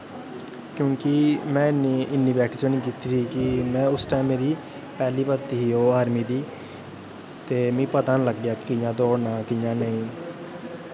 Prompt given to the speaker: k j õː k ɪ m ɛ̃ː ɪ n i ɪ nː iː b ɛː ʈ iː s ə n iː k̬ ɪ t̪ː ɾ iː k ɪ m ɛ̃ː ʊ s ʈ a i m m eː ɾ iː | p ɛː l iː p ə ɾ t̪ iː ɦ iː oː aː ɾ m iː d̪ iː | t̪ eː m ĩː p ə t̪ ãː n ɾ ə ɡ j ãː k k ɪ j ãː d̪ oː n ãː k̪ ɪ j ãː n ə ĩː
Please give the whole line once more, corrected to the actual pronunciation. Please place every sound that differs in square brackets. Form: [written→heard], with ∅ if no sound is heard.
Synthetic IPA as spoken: k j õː k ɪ m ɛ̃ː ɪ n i ɪ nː iː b ɛː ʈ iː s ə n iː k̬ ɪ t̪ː ɾ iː k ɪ m ɛ̃ː ʊ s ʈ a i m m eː ɾ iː | p ɛː l iː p ə ɾ t̪ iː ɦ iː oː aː ɾ m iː d̪ iː | t̪ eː m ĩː p ə t̪ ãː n [ɾ→l] ə ɡ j [ãː→aː] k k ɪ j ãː d̪ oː n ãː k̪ ɪ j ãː n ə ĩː